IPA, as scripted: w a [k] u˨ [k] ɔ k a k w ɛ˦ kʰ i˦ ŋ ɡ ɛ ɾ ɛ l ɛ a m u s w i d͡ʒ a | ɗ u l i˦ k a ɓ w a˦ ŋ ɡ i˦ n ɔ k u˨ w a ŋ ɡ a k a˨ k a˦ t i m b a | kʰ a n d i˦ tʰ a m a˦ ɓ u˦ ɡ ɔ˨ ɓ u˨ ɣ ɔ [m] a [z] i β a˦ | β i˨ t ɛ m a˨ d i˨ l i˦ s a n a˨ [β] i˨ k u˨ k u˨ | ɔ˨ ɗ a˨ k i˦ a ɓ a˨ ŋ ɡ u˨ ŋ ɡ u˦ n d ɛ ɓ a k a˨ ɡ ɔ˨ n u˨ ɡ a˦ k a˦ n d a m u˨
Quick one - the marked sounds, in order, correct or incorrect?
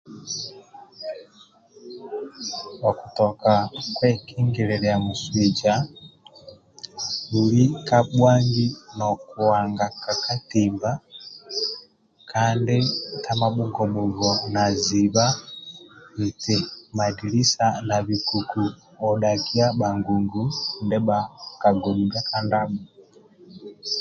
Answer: correct, incorrect: t, incorrect: n, correct, correct

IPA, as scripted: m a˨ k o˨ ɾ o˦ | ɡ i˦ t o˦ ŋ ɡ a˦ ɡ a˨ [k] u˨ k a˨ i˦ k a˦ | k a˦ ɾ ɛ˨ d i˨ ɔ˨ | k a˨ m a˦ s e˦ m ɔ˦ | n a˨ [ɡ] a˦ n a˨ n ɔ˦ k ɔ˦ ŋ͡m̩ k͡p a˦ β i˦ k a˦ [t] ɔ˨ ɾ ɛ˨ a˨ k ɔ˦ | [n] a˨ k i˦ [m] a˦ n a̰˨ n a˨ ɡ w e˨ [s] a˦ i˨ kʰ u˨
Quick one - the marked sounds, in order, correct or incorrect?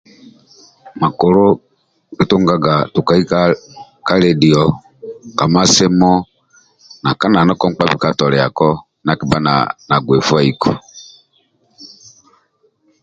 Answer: incorrect: t, incorrect: k, correct, correct, incorrect: b, incorrect: f

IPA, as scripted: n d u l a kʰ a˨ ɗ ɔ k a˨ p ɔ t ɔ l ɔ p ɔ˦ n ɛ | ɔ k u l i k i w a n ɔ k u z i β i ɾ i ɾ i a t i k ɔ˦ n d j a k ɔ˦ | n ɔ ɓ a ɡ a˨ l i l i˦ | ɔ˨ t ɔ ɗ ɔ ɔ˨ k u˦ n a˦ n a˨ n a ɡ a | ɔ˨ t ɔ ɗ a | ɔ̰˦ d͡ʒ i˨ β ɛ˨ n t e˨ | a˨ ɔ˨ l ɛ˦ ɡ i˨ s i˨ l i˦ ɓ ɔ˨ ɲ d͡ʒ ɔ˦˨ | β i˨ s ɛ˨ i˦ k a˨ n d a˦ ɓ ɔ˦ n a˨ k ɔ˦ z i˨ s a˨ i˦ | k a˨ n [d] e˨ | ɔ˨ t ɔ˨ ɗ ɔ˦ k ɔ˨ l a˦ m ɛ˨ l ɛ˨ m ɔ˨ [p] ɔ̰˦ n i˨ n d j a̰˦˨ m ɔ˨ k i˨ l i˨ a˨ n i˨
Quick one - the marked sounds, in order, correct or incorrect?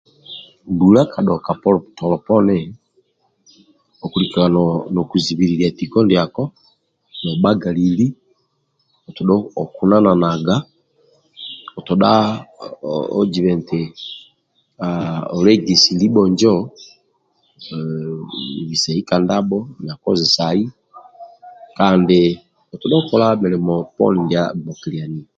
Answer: correct, correct

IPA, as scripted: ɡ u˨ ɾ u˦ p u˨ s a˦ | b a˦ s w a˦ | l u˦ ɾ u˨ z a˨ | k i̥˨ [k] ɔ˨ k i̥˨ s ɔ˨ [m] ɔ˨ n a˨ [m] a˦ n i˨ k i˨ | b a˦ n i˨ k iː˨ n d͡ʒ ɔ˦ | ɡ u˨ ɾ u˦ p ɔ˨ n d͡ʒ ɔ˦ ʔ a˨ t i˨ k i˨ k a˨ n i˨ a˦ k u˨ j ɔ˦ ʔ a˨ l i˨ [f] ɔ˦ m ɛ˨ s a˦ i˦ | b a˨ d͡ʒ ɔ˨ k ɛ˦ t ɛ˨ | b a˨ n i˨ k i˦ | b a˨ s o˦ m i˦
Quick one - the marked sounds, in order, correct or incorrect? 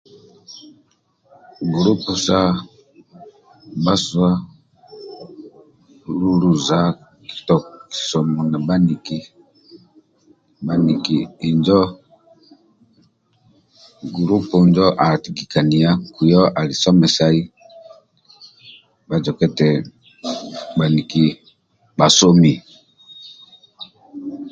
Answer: incorrect: t, correct, incorrect: b, incorrect: s

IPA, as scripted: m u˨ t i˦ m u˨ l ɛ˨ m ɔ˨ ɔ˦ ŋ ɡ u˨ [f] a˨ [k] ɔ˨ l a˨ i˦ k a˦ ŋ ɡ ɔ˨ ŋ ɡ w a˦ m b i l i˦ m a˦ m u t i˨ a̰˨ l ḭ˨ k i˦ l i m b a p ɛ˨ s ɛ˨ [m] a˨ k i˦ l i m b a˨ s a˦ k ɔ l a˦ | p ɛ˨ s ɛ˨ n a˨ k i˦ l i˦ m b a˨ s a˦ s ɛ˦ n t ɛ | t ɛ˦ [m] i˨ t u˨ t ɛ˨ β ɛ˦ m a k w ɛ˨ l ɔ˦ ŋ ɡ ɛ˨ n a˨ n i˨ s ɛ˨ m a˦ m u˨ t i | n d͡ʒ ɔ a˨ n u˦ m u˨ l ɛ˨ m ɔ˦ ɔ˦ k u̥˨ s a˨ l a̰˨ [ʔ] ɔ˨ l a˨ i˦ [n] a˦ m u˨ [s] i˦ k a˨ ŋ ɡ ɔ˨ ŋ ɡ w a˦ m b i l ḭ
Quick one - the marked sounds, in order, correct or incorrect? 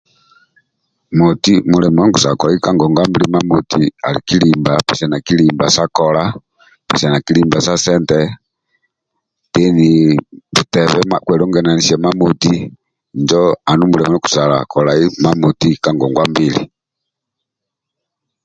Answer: incorrect: s, correct, incorrect: n, incorrect: n, incorrect: k, incorrect: m, incorrect: t

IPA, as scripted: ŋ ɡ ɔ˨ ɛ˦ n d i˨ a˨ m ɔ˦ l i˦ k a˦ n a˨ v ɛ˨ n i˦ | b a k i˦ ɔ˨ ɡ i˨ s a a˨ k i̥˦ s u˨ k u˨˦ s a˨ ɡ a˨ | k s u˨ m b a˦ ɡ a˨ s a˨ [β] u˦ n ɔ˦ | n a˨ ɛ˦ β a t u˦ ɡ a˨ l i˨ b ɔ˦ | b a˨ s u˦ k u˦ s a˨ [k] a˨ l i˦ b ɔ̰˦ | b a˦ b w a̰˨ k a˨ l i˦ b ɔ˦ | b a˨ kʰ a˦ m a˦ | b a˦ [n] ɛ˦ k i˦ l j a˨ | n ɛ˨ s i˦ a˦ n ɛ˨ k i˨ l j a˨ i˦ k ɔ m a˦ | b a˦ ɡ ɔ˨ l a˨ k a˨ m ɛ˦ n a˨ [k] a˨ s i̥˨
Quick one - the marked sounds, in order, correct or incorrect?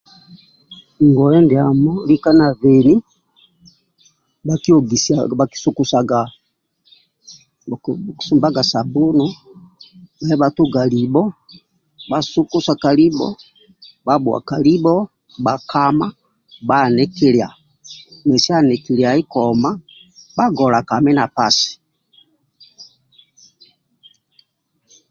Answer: incorrect: b, correct, correct, incorrect: p

